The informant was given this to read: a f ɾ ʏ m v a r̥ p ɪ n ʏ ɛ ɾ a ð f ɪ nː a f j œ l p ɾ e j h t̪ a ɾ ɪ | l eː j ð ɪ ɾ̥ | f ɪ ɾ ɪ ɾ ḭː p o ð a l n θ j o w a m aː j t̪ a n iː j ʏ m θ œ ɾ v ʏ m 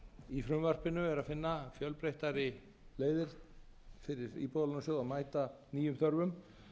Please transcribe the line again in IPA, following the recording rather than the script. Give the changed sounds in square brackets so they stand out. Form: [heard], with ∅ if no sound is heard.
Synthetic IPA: [i] f ɾ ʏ m v a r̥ p ɪ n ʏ ɛ ɾ a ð f ɪ nː a f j œ l p ɾ e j h t̪ a ɾ ɪ | l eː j ð ɪ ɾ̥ | f ɪ ɾ ɪ ɾ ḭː p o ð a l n [s] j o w a m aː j t̪ a n iː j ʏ m θ œ ɾ v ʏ m